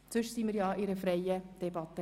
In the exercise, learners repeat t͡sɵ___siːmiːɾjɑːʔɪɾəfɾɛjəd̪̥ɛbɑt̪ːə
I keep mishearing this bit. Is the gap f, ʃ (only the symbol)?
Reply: ʃ